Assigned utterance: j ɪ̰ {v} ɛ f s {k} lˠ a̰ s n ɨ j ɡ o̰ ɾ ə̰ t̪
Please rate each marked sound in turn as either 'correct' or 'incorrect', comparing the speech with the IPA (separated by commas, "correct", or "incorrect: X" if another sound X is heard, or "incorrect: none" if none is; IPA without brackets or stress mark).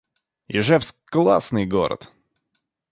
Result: incorrect: ʐ, correct